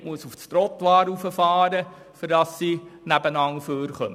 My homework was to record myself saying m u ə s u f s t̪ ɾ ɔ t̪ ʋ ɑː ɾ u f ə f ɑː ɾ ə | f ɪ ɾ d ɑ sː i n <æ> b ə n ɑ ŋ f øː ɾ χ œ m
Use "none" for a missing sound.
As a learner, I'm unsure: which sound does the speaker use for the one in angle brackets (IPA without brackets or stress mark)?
æ